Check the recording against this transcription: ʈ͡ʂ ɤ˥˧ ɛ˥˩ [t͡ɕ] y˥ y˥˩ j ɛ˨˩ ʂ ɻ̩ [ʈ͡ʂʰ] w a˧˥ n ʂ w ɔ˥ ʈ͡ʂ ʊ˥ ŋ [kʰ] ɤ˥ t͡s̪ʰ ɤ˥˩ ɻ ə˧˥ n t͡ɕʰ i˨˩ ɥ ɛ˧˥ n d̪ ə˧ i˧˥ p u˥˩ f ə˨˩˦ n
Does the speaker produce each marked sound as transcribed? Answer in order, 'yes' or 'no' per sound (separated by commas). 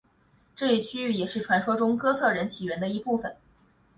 no, yes, no